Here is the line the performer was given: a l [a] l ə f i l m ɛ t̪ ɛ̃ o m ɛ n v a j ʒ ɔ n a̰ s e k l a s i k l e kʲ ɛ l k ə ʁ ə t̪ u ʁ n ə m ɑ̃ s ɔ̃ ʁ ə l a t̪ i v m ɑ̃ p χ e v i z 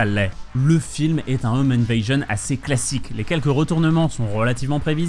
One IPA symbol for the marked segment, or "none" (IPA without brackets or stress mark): ɛ